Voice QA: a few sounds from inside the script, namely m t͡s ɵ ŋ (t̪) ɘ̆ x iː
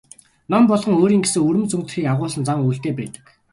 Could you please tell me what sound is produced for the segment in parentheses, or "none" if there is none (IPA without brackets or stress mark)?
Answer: t̪